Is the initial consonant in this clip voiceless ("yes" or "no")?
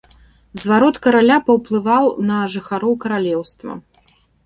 no